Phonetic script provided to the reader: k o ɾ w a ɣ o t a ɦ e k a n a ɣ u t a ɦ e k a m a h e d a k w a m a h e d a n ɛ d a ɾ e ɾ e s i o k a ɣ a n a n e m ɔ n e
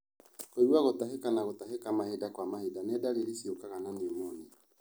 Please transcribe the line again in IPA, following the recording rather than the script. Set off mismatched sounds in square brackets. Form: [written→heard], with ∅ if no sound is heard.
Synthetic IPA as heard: k o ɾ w a ɣ o t a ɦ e k a n a ɣ [u→o] t a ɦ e k a m a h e d a k w a m a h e d a n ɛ d a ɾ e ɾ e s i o k a ɣ a n a n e m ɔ n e